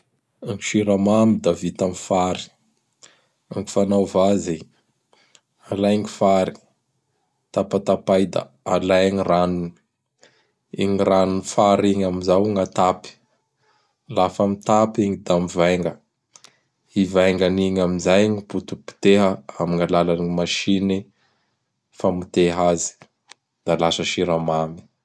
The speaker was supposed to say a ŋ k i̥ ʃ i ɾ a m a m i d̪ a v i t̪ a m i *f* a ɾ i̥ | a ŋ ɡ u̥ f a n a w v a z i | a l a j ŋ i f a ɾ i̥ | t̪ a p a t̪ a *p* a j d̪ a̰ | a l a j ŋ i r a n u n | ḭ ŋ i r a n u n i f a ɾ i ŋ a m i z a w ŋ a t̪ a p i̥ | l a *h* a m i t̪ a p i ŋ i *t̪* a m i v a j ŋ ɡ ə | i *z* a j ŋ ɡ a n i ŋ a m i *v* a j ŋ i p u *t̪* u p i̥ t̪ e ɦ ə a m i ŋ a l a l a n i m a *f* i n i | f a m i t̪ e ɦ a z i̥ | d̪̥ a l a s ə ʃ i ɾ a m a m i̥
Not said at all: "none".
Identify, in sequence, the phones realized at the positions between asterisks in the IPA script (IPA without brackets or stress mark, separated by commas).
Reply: f, p, f, d̪, v, z, t̪, ʃ